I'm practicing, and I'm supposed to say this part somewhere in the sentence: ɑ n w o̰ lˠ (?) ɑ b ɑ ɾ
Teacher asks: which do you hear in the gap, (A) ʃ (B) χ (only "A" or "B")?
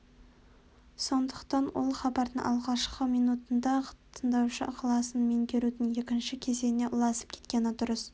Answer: B